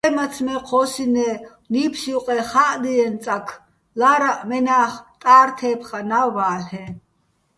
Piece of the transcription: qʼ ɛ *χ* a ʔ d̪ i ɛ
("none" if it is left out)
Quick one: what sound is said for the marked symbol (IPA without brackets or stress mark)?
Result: χ